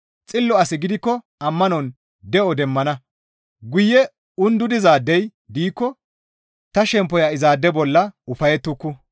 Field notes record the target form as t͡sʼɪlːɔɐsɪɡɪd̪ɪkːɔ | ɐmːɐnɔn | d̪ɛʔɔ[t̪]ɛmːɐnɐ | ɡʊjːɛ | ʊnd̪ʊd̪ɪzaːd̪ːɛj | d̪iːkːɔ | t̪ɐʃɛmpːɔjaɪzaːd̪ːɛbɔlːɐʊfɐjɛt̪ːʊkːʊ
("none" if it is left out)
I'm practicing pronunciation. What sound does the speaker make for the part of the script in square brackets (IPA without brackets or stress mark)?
d̪